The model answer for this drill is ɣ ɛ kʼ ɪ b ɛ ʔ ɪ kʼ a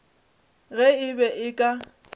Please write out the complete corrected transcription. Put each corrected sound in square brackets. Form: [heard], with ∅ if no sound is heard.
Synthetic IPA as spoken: ɣ ɛ [∅] ɪ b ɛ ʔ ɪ kʼ a